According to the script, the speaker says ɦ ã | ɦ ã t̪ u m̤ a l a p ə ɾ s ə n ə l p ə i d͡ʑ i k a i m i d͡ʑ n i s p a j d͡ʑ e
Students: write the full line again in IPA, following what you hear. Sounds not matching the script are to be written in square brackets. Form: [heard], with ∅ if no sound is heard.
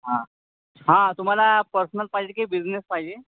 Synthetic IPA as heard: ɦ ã | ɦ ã t̪ u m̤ a l a p ə ɾ s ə n ə l p [a] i d͡ʑ [e] k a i [b] i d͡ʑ n [e] s p a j d͡ʑ e

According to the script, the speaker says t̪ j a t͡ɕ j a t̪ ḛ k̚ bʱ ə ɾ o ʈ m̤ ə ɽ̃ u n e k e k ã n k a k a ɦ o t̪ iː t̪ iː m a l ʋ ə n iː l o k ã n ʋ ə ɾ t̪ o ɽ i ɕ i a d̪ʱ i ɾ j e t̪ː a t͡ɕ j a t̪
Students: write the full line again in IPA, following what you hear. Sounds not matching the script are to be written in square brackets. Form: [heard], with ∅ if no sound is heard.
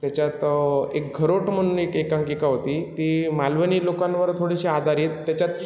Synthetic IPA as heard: t̪ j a t͡ɕ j a t̪ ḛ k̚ [ɡʱ] ə ɾ o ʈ m̤ ə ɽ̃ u n e k e k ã [ŋ] k [i] k a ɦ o t̪ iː t̪ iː m a l ʋ ə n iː l o k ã n ʋ ə ɾ [t̪ʰ] o ɽ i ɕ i a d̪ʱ [a] ɾ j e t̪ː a t͡ɕ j a t̪

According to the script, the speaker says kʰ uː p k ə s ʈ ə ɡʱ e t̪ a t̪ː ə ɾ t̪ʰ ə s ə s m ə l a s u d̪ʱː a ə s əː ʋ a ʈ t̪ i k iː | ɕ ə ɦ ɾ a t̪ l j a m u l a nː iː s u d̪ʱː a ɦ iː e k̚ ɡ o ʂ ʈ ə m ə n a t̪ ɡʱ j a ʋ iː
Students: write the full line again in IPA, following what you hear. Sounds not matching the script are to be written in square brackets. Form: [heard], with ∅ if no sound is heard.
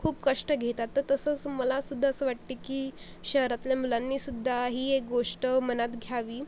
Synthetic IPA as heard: kʰ uː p k ə [ʂ] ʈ ə ɡʱ e t̪ a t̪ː ə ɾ [t̪] ə s ə [t͡s] m ə l a s u d̪ʱː a ə s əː ʋ a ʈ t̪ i k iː | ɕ ə ɦ ɾ a t̪ l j a m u l a nː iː s u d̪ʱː a ɦ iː e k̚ ɡ o ʂ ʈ ə m ə n a t̪ ɡʱ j a ʋ iː

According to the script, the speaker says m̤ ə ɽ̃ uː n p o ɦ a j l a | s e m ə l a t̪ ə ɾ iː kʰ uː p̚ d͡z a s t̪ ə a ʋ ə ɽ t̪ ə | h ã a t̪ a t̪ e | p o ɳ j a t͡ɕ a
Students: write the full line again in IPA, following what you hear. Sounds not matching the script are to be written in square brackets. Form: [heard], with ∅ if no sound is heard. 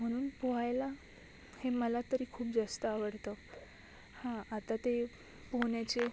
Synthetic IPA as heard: m̤ ə ɽ̃ uː n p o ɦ a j l a | [h] e m ə l a t̪ ə ɾ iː kʰ uː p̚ d͡z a s t̪ ə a ʋ ə ɽ t̪ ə | h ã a t̪ a t̪ e | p o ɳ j a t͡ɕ [e]

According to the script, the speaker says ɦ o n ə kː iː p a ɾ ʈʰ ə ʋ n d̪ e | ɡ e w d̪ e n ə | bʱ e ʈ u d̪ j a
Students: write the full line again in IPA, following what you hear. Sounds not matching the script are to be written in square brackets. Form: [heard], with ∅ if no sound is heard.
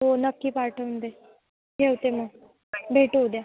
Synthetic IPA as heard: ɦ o n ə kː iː p a ɾ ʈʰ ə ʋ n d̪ e | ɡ e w [t̪] e [m] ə | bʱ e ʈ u d̪ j a

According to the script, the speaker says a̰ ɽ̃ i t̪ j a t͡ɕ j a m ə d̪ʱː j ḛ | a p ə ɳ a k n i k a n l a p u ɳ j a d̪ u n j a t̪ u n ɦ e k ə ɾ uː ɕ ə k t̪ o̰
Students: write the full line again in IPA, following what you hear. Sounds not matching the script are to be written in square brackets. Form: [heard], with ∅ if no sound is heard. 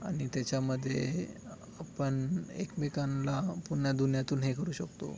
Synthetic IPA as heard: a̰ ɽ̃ i t̪ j a t͡ɕ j a m ə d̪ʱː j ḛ | a p ə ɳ [e] k [m] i k a n l a p u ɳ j a d̪ u n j a t̪ [uː] n ɦ e k ə ɾ uː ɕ ə k t̪ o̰

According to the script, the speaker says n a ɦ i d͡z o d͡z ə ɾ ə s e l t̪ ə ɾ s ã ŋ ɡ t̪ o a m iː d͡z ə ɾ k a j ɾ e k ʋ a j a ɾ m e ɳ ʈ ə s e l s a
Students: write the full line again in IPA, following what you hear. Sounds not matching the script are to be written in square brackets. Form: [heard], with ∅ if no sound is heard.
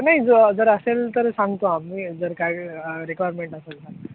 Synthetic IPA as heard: n a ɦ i d͡z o d͡z ə ɾ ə s e l t̪ ə ɾ s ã ŋ ɡ t̪ o a m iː d͡z ə ɾ k a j ɾ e k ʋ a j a ɾ m e ɳ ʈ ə s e l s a

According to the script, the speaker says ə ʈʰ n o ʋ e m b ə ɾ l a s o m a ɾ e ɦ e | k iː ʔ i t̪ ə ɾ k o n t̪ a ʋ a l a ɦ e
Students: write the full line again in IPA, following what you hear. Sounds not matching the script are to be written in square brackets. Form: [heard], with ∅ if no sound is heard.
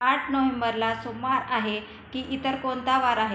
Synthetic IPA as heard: [a] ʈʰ n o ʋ e m b ə ɾ l a s o m a ɾ [a] ɦ e | k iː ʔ i t̪ ə ɾ k o n t̪ a ʋ a [ɾ] a ɦ e

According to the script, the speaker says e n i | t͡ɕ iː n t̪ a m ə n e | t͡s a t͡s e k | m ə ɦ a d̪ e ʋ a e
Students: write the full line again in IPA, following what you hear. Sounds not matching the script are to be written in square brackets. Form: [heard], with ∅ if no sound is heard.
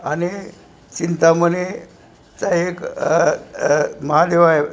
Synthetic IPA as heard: [a] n i | t͡ɕ [i] n t̪ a m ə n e | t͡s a [∅] e k | m ə ɦ a d̪ e ʋ a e

